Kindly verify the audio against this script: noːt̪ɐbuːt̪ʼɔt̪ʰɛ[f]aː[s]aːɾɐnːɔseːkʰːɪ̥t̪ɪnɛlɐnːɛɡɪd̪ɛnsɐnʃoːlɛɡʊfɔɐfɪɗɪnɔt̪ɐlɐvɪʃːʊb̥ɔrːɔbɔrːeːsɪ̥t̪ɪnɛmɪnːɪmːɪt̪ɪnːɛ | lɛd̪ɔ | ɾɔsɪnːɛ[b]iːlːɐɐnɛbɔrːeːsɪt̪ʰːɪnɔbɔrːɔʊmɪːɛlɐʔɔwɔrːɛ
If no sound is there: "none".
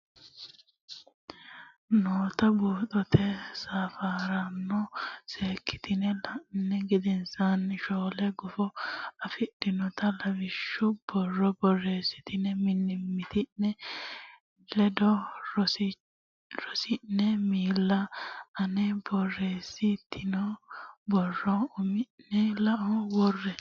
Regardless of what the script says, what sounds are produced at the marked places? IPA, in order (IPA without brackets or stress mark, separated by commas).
s, f, m